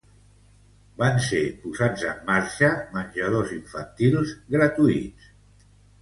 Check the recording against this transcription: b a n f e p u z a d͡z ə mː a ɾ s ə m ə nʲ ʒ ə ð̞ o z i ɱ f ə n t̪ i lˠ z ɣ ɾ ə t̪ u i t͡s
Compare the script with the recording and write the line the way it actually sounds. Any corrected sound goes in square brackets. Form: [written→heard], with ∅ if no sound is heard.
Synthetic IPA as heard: b a n [f→s] e p u z a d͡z ə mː a ɾ [s→ʃ] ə m ə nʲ ʒ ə ð̞ o z i ɱ f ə n t̪ i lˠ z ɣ ɾ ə t̪ u i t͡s

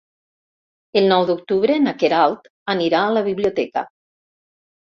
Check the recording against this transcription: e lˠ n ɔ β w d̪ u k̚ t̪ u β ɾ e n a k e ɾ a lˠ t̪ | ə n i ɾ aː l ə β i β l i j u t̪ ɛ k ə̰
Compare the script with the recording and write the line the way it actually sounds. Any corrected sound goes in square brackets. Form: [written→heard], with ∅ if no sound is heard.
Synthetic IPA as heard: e lˠ n ɔ [β→∅] w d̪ u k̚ t̪ u β ɾ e n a k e ɾ a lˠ t̪ | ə n i ɾ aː l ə β i β l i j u t̪ ɛ k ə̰

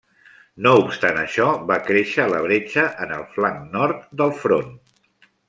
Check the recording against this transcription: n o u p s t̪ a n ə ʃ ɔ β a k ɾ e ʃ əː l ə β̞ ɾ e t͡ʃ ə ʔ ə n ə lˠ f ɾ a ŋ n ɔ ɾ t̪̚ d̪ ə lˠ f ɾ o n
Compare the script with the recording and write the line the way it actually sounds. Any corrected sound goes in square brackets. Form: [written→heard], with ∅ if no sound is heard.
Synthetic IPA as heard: n o u p s t̪ a n ə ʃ ɔ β a k ɾ e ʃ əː l ə β̞ ɾ e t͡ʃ ə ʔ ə n ə lˠ f [ɾ→l] a ŋ n ɔ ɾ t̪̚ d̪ ə lˠ f ɾ o n

